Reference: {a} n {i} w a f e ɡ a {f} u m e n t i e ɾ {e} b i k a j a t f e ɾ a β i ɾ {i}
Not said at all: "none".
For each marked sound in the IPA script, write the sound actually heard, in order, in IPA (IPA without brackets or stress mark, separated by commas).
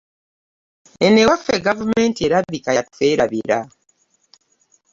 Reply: e, e, v, a, a